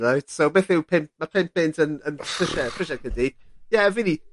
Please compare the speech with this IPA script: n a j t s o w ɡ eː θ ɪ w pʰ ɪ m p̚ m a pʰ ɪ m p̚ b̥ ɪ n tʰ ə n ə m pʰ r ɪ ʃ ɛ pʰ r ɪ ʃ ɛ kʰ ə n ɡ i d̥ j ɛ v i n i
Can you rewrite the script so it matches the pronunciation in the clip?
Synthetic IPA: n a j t s o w b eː θ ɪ w pʰ ɪ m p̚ m a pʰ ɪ m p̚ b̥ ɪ n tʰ ə n ə n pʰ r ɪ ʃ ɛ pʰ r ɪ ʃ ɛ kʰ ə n d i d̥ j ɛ v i n i